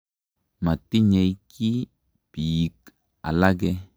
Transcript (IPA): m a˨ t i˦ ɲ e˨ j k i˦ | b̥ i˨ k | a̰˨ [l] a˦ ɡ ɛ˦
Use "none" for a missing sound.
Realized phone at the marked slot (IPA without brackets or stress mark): l